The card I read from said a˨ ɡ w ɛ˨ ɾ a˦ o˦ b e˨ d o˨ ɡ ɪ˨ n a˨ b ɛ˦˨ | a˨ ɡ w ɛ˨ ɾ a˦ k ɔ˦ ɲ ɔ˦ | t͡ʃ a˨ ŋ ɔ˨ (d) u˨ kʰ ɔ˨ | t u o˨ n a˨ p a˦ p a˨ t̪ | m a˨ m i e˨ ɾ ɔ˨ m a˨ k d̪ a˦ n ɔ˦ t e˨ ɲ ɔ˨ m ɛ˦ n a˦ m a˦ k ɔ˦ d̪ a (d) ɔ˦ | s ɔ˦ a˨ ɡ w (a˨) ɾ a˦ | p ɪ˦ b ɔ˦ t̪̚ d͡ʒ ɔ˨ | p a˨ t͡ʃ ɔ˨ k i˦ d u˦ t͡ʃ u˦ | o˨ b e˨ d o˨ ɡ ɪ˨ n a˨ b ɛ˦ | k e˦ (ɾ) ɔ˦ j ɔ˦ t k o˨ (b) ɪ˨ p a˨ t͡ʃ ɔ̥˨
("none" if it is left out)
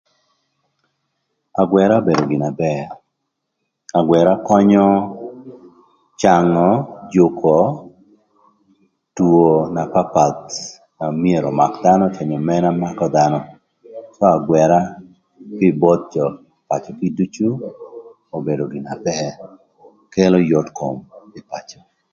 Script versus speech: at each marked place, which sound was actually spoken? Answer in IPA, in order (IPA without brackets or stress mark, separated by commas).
d͡ʒ, n, ɛ˨, l, m